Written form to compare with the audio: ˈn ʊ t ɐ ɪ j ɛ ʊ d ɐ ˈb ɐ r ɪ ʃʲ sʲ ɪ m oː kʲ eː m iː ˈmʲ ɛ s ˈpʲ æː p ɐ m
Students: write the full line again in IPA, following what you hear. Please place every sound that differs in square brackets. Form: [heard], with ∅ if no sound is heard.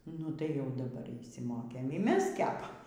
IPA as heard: ˈn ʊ t ɐ ɪ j ɛ ʊ d ɐ ˈb ɐ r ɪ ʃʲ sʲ ɪ m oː kʲ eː m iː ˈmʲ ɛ s [ˈkʲ] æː p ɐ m

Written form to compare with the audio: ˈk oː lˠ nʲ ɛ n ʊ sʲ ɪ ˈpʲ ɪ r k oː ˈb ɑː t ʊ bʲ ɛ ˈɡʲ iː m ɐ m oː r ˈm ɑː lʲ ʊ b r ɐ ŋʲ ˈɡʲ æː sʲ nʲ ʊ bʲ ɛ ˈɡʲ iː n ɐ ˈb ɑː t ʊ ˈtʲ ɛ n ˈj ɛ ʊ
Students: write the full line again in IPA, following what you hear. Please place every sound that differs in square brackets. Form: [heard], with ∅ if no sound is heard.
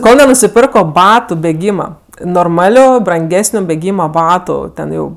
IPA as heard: ˈk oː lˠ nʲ ɛ n ʊ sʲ ɪ ˈpʲ ɪ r k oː ˈb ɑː t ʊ bʲ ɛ ˈɡʲ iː m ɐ [n] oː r ˈm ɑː lʲ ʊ b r ɐ ŋʲ ˈɡʲ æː sʲ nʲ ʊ bʲ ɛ ˈɡʲ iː [m] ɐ ˈb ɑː t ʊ ˈtʲ ɛ n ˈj ɛ ʊ

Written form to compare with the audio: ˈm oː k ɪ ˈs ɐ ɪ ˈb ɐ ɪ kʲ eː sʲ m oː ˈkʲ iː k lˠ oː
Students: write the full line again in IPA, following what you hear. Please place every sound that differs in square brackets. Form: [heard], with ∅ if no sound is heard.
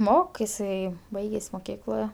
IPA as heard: ˈm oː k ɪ ˈs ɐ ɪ ˈb ɐ ɪ [ɡʲ] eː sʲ m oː ˈkʲ iː k lˠ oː

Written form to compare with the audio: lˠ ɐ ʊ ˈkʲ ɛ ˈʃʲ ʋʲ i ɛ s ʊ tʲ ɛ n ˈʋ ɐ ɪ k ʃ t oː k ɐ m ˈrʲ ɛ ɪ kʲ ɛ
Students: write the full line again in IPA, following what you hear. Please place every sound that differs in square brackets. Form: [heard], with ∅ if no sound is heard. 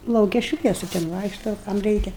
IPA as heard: lˠ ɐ ʊ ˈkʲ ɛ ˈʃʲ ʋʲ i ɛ s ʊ tʲ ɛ n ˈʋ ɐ ɪ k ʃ t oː k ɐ m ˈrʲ ɛ ɪ kʲ ɛ

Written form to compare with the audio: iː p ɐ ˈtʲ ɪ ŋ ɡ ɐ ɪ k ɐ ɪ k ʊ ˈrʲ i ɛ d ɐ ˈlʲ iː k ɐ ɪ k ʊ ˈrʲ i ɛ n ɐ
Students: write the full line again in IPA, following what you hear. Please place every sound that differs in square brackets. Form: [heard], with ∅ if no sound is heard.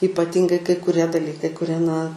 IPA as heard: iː p ɐ ˈtʲ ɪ ŋ ɡ ɐ ɪ k ɐ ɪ k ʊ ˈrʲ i ɛ d ɐ ˈlʲ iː k ɐ ɪ k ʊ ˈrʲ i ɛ n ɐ

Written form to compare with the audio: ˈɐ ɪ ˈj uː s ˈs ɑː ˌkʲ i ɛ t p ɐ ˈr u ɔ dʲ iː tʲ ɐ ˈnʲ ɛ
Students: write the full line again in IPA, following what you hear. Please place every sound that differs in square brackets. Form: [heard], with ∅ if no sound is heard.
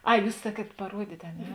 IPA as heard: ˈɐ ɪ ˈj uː s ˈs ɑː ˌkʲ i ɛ t p ɐ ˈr u ɔ dʲ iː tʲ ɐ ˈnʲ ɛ

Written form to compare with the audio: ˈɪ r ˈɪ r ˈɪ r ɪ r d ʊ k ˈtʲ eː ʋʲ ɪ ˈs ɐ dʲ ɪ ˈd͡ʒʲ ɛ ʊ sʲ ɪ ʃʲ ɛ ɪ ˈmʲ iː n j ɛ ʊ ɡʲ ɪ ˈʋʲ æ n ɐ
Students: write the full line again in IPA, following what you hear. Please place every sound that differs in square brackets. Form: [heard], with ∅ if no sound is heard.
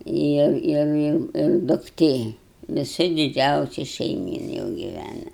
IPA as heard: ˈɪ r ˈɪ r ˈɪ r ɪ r d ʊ k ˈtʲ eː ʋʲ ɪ ˈs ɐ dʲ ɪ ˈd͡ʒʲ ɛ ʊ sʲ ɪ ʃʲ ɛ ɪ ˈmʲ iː n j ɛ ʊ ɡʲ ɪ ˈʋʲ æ n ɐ

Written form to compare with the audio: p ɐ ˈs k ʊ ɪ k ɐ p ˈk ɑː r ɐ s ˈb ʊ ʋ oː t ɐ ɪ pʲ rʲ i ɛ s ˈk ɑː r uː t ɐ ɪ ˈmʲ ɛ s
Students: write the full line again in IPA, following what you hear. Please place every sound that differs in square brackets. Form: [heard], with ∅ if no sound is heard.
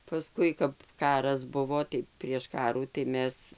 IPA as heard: p ɐ ˈs k ʊ ɪ k ɐ p ˈk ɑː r ɐ s ˈb ʊ ʋ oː t ɐ ɪ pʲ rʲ i ɛ [ʃ] ˈk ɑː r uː t ɐ ɪ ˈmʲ ɛ s

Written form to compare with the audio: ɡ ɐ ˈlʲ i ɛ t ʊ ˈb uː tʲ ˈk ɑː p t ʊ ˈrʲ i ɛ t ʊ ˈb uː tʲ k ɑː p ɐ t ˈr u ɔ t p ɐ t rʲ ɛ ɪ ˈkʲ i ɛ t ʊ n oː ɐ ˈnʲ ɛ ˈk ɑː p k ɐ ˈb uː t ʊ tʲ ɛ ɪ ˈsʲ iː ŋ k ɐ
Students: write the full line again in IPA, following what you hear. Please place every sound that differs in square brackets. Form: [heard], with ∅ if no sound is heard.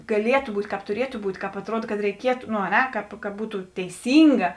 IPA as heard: ɡ ɐ ˈlʲ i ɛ t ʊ ˈb uː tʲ ˈk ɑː p t ʊ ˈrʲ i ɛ t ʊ ˈb uː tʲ k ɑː p ɐ t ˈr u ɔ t [k] ɐ t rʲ ɛ ɪ ˈkʲ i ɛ t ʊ n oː ɐ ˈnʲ ɛ ˈk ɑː p k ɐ ˈb uː t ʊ tʲ ɛ ɪ ˈsʲ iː ŋ [ɡ] ɐ

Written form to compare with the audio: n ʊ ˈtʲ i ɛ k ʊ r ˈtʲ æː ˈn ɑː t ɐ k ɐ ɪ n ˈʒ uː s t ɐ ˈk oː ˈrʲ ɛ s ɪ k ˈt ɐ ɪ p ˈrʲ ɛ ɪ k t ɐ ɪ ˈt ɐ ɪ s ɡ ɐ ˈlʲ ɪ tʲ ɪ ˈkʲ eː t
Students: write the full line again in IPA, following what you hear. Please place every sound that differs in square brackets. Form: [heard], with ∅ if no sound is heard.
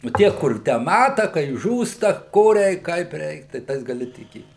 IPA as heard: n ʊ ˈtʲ i ɛ k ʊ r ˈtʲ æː [ˈm] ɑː t ɐ k ɐ ɪ [∅] ˈʒ uː s t ɐ ˈk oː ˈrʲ ɛ [∅] ɪ k [ˈk] ɐ ɪ p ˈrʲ ɛ ɪ k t ɐ ɪ ˈt ɐ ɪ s ɡ ɐ ˈlʲ ɪ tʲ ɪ ˈkʲ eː t

